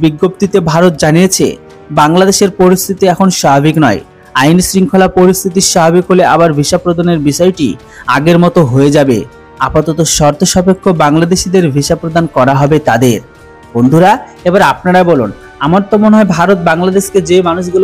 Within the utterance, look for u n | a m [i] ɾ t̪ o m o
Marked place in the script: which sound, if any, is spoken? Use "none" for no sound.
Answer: a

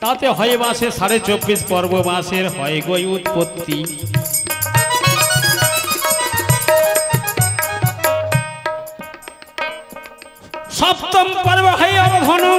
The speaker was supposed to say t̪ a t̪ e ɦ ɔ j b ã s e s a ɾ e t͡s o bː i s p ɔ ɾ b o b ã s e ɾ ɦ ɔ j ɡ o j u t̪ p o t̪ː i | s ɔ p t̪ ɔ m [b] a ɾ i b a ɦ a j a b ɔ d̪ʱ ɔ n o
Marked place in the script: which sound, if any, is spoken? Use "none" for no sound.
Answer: p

